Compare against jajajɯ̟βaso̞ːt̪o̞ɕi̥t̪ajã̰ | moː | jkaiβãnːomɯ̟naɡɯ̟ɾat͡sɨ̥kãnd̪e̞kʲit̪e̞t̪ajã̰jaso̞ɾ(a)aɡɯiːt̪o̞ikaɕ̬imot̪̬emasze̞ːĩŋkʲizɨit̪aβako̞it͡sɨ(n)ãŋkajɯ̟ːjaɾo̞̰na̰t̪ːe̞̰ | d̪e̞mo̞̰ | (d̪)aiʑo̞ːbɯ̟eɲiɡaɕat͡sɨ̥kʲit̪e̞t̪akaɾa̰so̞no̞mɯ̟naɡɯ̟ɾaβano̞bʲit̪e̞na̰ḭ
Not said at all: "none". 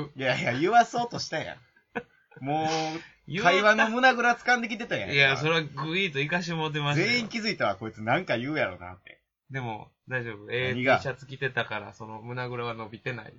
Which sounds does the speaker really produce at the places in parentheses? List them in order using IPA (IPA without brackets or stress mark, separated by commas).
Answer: e, n, d̪